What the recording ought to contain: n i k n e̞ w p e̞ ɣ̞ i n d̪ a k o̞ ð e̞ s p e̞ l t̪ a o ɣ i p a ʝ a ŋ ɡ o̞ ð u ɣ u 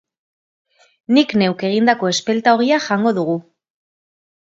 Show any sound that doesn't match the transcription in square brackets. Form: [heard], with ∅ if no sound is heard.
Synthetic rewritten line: n i k n e̞ w [k] e̞ ɣ̞ i n d̪ a k o̞ [∅] e̞ s p e̞ l t̪ a o ɣ i [∅] a ʝ a ŋ ɡ o̞ ð u ɣ u